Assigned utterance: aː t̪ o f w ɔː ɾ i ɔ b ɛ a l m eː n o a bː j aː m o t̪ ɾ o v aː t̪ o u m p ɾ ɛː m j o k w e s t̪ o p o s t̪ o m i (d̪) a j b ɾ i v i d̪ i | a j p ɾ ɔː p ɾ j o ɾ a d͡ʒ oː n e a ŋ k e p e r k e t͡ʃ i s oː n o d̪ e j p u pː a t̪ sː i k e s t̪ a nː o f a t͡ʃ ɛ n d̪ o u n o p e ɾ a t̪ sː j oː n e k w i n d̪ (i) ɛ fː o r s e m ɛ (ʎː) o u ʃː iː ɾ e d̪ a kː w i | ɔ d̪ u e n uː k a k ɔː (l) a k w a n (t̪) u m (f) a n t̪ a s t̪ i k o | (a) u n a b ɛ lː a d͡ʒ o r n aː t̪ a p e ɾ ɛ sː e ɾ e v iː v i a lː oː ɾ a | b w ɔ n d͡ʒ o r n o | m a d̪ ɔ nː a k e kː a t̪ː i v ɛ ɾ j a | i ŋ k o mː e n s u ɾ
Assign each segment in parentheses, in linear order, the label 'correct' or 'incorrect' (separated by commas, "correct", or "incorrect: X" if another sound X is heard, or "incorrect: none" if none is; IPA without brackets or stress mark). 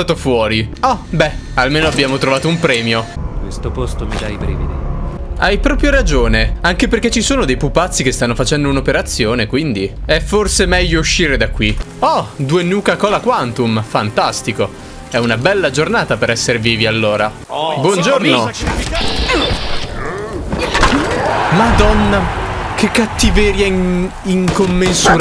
correct, correct, correct, correct, correct, correct, incorrect: ɛ